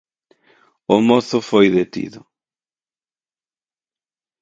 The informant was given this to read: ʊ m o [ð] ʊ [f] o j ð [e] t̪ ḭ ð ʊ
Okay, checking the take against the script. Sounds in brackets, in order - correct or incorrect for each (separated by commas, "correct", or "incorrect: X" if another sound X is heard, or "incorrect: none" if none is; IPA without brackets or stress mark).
incorrect: θ, correct, correct